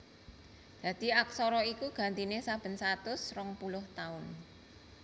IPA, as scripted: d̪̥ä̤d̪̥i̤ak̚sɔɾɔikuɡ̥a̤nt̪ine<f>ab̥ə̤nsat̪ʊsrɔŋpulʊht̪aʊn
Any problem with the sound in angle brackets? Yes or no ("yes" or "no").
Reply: yes